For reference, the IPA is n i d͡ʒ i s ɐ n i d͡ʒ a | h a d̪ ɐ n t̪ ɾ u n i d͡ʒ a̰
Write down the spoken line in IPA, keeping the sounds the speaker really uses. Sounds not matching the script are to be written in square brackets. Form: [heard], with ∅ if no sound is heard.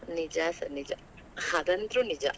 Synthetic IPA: n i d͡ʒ [a] s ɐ n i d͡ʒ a | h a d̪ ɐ n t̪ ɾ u n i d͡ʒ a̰